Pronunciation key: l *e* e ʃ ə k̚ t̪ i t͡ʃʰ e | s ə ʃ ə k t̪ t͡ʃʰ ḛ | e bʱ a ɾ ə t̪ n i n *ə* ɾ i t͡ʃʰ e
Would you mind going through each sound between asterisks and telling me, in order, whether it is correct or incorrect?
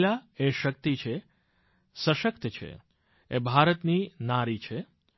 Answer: incorrect, incorrect

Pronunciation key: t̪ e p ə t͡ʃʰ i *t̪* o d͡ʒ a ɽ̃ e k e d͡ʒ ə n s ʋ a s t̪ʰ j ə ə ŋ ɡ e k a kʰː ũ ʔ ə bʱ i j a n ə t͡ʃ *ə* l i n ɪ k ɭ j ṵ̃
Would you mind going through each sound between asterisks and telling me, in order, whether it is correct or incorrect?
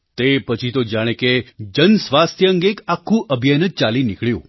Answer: correct, incorrect

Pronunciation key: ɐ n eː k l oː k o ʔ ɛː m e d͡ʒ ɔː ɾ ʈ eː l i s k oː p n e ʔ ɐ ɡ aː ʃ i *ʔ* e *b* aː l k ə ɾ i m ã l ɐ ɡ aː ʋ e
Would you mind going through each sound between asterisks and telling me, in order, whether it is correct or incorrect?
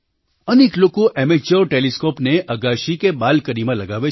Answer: incorrect, correct

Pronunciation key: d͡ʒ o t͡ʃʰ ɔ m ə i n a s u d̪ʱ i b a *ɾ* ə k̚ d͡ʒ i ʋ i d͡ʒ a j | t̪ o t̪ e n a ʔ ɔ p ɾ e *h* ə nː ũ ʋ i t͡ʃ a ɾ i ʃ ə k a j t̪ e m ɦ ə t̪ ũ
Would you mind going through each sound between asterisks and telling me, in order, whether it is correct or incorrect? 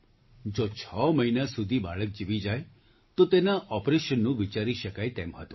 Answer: incorrect, incorrect

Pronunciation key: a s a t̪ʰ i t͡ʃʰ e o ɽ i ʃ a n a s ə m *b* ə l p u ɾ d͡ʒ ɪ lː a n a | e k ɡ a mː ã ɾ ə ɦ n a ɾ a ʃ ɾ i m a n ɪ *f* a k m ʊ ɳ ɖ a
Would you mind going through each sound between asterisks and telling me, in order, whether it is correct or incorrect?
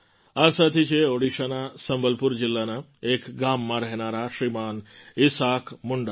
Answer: correct, incorrect

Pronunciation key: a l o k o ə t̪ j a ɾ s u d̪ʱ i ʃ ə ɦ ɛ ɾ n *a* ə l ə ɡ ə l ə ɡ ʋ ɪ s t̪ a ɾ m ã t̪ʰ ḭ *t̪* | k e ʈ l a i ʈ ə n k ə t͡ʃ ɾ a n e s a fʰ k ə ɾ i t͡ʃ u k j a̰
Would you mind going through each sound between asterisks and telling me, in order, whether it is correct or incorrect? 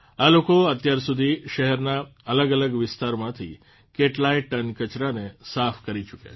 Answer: correct, incorrect

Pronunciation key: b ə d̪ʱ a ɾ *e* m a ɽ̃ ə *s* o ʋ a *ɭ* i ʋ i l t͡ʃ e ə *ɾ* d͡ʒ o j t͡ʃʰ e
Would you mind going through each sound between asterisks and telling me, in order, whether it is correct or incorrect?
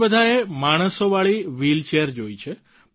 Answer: correct, correct, correct, correct

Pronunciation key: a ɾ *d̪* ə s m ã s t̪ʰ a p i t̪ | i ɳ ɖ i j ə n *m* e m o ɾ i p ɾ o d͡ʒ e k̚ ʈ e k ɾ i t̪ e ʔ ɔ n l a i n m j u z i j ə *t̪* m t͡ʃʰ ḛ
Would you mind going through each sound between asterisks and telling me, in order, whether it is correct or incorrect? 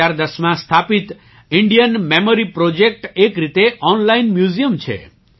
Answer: correct, correct, incorrect

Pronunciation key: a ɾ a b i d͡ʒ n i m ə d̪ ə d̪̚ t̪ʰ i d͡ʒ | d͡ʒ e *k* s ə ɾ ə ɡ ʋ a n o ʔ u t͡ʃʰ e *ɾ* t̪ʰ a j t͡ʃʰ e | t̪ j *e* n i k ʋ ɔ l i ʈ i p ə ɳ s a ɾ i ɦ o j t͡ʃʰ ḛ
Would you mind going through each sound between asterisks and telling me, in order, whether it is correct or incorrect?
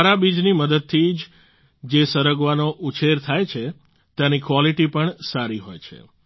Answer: incorrect, correct, incorrect

